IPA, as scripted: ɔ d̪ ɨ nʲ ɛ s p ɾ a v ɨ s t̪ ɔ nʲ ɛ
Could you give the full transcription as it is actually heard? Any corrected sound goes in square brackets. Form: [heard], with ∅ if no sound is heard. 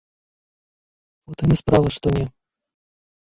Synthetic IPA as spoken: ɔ [t̪] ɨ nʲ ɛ s p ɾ a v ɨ [ʂ] t̪ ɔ nʲ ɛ